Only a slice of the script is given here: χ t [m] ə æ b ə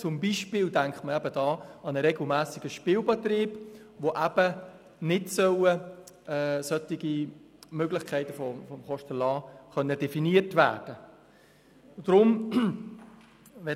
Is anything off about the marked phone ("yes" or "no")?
no